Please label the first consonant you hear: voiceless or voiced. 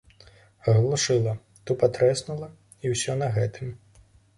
voiced